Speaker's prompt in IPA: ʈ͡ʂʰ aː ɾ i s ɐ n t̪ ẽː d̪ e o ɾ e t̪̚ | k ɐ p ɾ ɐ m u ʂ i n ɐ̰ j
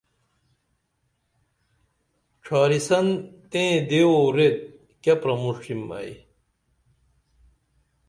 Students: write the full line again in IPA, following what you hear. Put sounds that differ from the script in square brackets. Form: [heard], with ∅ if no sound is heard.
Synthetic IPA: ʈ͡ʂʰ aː ɾ i s ɐ n t̪ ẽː d̪ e o ɾ e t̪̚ | k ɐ p ɾ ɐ m u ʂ i [m] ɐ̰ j

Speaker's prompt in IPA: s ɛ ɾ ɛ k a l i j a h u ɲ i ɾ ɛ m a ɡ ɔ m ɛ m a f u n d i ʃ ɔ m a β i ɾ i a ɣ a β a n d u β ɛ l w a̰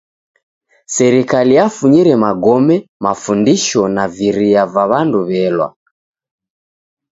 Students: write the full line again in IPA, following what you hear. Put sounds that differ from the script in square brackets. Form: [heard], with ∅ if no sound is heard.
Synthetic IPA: s ɛ ɾ [i] k a l i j a [f] u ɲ i ɾ ɛ m a ɡ ɔ m ɛ m a f u n d i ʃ ɔ [n] a [v] i ɾ i a [v] a β a n d u β ɛ l w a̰

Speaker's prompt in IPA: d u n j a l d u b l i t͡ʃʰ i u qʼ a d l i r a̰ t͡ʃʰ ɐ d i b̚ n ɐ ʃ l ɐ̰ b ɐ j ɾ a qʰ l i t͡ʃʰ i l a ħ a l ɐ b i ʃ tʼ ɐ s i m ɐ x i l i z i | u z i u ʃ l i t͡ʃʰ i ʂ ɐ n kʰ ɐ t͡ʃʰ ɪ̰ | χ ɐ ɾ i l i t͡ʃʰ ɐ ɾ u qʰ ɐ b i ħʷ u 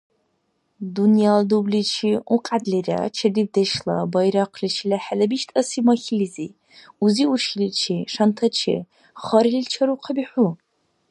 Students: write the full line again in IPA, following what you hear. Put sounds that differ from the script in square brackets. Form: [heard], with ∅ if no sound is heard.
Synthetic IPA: d u n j a l d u b l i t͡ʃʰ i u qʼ a d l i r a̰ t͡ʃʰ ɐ d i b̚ [d] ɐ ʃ l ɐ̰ b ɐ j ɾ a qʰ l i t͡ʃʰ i l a ħ a l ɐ b i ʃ tʼ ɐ s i m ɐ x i l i z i | u z i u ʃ l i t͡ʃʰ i ʂ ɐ n [tʰ] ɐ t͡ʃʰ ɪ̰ | χ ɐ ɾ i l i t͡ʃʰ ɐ ɾ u qʰ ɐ b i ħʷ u

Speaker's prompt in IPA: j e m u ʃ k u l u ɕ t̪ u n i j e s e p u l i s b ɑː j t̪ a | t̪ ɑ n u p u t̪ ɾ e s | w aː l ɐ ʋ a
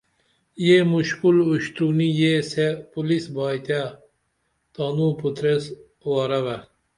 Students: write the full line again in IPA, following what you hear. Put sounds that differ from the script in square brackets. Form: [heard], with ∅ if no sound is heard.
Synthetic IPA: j e m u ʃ k u l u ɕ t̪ u n i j e s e p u l i s b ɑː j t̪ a | t̪ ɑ n u p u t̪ ɾ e s | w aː [ɾ] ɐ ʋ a

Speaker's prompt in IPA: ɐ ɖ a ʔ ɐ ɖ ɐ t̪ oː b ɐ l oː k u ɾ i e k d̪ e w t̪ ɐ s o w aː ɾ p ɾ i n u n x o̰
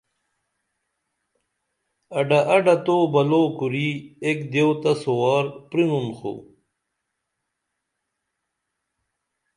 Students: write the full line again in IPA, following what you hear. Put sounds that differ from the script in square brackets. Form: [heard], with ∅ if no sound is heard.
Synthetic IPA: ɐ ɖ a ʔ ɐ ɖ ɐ t̪ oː b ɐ l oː k u ɾ i e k d̪ e w t̪ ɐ s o w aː ɾ p ɾ i n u n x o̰

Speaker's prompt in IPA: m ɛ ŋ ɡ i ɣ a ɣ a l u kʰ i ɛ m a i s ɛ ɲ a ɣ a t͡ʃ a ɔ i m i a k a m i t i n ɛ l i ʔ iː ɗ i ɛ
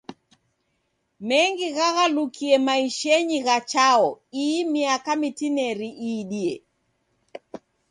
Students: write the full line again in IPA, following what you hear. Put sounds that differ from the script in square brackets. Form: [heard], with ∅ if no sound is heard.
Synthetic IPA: m ɛ ŋ ɡ i ɣ a ɣ a l u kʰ i ɛ m a i [ʃ] ɛ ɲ [i] ɣ a t͡ʃ a ɔ i m i a k a m i t i n ɛ [ɾ] i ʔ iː ɗ i ɛ

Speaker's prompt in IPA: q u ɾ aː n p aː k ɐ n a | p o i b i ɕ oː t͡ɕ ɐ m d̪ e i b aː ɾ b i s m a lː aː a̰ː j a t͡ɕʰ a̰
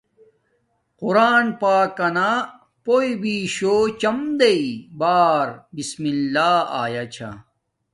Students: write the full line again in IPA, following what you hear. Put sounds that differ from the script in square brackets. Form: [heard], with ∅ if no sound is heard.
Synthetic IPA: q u ɾ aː n p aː k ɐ n a | p o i b i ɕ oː t͡ɕ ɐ m d̪ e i b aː ɾ b i s m [i] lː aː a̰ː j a t͡ɕʰ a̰

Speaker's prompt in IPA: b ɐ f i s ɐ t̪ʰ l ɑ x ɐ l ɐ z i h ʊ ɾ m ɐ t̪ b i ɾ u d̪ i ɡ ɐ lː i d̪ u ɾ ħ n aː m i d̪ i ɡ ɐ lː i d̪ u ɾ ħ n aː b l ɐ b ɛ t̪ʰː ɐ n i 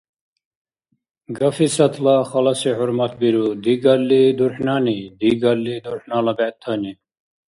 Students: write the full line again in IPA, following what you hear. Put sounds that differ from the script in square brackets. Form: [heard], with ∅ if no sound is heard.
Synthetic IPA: [ɡ] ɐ f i s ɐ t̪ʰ l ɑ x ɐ l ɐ [s] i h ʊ ɾ m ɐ t̪ b i ɾ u d̪ i ɡ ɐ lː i d̪ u ɾ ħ n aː [n] i d̪ i ɡ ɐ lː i d̪ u ɾ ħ n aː [∅] l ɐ b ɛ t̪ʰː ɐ n i

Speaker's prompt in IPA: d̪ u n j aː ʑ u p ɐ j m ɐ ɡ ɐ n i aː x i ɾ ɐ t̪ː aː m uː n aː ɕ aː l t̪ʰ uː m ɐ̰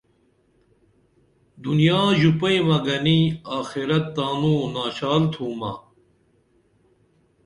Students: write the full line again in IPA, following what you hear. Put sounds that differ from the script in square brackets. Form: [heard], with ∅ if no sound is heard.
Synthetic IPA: d̪ u n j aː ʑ u p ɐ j m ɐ ɡ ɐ n i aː x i ɾ ɐ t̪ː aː [n] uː n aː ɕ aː l t̪ʰ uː m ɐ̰

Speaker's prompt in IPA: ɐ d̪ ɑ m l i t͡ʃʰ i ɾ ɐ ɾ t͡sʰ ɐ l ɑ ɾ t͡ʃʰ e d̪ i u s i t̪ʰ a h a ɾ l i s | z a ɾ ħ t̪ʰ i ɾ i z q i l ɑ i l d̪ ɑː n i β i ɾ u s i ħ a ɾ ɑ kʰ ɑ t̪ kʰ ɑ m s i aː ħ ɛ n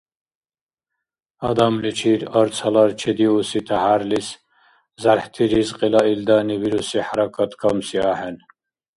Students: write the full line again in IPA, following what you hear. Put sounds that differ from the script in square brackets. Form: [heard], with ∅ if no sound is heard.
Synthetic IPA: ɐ d̪ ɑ m l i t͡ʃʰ i ɾ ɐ ɾ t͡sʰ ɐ l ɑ ɾ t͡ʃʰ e d̪ i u s i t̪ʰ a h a ɾ l i s | z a ɾ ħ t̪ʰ i ɾ i z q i l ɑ i l d̪ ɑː n i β i ɾ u s i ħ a ɾ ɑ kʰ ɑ t̪ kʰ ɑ m s i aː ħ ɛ n

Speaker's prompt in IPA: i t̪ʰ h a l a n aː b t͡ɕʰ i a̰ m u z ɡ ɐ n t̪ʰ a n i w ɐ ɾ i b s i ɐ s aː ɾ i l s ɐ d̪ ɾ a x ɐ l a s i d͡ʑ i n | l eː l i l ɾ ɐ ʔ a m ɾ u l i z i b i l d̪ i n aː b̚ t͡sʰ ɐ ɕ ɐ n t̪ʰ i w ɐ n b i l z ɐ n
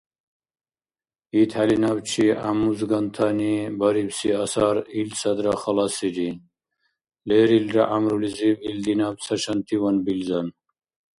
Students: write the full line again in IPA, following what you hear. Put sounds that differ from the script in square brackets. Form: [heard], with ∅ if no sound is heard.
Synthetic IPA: i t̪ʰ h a l [i] n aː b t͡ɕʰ i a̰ m u z ɡ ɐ n t̪ʰ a n i [b] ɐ ɾ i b s i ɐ s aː ɾ i l s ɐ d̪ ɾ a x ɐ l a s i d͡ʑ i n | l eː [ɾ] i l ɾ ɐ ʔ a m ɾ u l i z i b i l d̪ i n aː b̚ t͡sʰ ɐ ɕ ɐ n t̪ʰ i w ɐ n b i l z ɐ n

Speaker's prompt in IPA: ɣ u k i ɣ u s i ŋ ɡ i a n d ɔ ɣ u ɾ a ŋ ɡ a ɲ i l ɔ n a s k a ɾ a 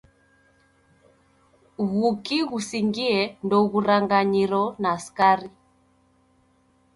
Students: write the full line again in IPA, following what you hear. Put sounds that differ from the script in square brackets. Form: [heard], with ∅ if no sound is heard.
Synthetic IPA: ɣ u k i ɣ u s i ŋ ɡ i [ɛ] n d ɔ ɣ u ɾ a ŋ ɡ a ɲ i [ɾ] ɔ n a s k a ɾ [i]

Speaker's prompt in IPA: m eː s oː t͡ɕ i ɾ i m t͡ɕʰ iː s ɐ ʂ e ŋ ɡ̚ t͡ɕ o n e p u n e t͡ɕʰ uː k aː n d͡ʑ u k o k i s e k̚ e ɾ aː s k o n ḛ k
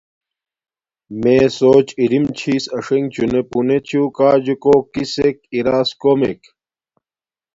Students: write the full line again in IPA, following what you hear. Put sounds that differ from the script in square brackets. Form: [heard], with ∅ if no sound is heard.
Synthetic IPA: m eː s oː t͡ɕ i ɾ i m t͡ɕʰ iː s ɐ ʂ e ŋ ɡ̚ t͡ɕ [u] n e p u n e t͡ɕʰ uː k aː [∅] d͡ʑ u k o k i s e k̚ [i] ɾ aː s k o [m] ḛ k

